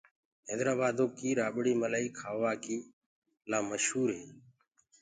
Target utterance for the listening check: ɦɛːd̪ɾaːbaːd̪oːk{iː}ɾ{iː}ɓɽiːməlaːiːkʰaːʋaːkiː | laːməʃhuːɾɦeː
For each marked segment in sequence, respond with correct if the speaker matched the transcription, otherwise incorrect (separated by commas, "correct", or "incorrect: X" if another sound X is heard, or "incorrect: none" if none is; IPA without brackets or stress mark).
correct, incorrect: aː